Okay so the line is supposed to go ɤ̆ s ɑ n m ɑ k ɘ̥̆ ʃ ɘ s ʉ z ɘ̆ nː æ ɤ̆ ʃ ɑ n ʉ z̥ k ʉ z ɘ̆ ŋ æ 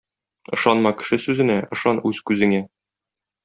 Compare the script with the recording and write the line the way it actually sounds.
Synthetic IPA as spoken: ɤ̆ ʃ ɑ n m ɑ k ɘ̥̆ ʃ ɘ s ʉ z ɘ̆ n æ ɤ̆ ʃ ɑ n ʉ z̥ k ʉ z ɘ̆ ŋ æ